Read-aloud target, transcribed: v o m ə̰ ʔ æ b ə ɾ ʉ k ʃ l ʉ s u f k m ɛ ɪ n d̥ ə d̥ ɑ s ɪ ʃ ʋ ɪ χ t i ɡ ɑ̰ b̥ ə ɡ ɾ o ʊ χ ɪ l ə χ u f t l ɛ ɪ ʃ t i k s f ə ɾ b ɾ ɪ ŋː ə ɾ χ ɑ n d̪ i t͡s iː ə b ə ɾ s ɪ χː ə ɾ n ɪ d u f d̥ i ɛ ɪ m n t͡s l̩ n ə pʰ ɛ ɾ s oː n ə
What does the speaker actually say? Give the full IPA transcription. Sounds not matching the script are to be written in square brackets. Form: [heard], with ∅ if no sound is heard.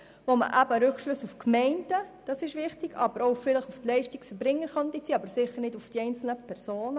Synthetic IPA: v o m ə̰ ʔ æ b ə ɾ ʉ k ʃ l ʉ s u f k m ɛ ɪ n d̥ ə d̥ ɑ s ɪ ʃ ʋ ɪ χ t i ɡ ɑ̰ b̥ ə [∅] ɾ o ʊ [f] ɪ l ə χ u f t l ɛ ɪ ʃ t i k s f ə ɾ b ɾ ɪ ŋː ə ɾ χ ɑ n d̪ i t͡s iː [ɑ] b ə ɾ s ɪ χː ə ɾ n ɪ d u f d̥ i ɛ ɪ [∅] n t͡s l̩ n ə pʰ ɛ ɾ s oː n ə